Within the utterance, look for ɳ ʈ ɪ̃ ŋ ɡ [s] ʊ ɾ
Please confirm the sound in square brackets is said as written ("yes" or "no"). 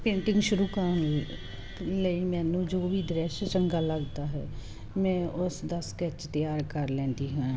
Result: no